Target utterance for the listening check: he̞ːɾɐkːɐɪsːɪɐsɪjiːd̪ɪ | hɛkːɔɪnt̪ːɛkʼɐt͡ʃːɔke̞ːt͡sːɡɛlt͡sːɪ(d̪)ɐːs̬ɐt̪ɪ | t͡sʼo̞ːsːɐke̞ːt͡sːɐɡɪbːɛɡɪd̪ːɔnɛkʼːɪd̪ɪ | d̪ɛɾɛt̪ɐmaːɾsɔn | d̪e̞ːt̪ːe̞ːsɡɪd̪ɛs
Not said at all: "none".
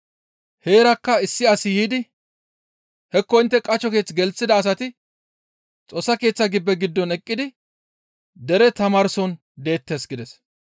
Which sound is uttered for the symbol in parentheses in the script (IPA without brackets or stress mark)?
d̪